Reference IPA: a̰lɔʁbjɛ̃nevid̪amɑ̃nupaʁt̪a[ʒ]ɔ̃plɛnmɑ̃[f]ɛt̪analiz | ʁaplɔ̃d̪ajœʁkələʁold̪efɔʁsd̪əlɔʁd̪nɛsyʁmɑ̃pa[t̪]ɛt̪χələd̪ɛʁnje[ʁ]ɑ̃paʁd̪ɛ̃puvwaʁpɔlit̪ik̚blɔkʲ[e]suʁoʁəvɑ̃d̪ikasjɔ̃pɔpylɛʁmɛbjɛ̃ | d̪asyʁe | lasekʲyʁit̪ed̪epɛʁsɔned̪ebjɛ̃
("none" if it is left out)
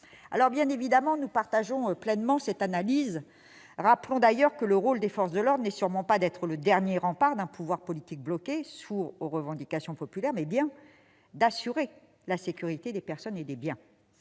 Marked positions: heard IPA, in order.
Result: ʒ, s, d̪, ʁ, e

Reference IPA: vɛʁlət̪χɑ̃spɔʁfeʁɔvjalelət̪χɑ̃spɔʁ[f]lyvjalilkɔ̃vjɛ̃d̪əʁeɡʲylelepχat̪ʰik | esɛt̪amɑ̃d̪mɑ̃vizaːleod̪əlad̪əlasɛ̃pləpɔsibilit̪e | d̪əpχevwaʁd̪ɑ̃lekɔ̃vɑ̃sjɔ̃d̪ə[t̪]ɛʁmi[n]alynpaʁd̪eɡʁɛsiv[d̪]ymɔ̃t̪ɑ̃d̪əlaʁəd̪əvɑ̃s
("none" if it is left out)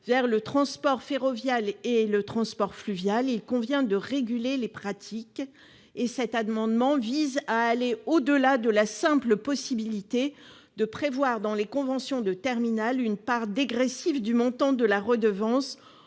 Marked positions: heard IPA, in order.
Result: f, t̪, n, d̪

